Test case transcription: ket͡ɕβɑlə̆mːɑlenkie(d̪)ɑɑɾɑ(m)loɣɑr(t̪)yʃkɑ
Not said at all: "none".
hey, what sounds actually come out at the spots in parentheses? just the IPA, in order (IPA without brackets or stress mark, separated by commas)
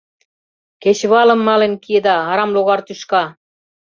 d̪, m, t̪